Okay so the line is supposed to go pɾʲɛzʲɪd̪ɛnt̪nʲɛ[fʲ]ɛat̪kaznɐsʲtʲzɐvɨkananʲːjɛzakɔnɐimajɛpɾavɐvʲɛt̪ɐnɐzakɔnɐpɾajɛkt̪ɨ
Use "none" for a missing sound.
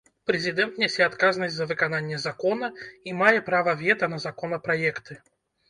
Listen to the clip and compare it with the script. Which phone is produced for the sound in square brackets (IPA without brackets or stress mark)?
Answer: sʲ